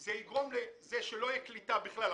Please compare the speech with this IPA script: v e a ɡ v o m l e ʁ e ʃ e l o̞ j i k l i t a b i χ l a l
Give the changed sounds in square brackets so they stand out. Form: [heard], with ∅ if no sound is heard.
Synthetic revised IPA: [z] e [i] ɡ [ʁ] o m l e [z] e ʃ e l o̞ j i k l i t a b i χ l a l